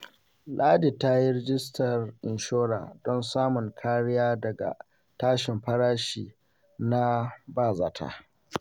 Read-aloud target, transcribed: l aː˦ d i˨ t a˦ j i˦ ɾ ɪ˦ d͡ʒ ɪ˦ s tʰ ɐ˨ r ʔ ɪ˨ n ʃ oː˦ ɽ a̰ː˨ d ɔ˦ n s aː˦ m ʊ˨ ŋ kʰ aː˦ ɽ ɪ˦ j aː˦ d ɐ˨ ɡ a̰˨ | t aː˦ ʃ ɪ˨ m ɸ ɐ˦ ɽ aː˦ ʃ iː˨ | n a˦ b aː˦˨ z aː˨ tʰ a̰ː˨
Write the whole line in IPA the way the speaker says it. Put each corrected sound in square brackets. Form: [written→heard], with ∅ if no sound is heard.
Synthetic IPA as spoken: l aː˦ d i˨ t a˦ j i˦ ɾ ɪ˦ d͡ʒ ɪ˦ s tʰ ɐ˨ r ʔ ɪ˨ n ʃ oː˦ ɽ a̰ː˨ d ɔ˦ n s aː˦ m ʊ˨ ŋ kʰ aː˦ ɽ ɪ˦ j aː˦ d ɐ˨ ɡ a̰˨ | t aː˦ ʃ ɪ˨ m ɸ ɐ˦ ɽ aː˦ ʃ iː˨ | n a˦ b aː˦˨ z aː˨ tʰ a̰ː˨